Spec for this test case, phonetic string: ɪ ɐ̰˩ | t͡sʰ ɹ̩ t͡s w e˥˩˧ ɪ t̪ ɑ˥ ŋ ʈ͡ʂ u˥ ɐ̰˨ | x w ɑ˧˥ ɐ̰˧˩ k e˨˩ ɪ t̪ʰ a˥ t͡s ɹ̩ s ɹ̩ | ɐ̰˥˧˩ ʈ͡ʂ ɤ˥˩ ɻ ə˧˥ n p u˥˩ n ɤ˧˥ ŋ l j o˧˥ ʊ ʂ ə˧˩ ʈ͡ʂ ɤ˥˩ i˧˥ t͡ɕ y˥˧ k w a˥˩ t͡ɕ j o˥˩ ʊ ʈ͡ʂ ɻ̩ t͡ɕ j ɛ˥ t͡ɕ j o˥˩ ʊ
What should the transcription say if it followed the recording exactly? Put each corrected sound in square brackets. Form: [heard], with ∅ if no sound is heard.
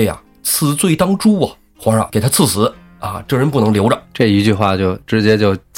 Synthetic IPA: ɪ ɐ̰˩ | t͡sʰ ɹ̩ t͡s w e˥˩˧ ɪ t̪ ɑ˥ ŋ ʈ͡ʂ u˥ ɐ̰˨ | x w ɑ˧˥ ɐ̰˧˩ k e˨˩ ɪ t̪ʰ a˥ [t͡sʰ] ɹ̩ s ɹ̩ | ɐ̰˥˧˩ ʈ͡ʂ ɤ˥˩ ɻ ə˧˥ n p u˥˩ n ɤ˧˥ ŋ l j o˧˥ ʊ [ʈ͡ʂ] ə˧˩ ʈ͡ʂ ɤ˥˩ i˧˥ t͡ɕ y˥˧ [x] w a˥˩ t͡ɕ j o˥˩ ʊ ʈ͡ʂ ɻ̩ t͡ɕ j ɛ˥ t͡ɕ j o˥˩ ʊ